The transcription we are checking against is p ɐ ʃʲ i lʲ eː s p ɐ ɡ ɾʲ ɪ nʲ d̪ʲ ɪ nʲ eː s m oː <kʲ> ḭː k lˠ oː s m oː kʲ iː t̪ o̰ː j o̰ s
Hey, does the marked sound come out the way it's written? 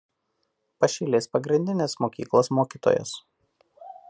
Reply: yes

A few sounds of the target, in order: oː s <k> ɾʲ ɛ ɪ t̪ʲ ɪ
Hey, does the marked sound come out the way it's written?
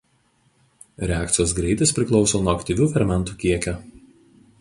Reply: no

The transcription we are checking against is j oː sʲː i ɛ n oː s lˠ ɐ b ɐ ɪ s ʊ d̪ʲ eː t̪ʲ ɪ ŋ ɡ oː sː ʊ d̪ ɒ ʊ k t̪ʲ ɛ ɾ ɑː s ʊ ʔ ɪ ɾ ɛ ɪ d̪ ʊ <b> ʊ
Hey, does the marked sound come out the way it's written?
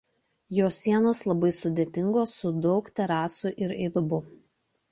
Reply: yes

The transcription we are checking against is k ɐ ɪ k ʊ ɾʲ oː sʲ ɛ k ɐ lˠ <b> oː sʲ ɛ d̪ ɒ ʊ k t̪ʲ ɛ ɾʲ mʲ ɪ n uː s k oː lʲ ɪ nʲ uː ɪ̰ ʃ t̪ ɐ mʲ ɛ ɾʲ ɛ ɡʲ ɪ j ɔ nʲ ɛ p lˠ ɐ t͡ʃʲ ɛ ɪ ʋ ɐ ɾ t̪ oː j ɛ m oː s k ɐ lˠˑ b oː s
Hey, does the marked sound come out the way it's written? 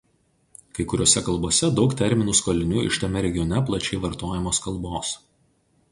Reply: yes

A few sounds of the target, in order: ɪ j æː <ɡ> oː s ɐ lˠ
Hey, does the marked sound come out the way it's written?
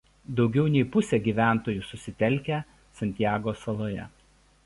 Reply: yes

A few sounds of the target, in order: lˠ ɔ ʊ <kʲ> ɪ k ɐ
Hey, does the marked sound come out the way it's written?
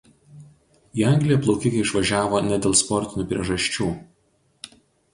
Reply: yes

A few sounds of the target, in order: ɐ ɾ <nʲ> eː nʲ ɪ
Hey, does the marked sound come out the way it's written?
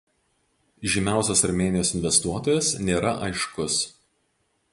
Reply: no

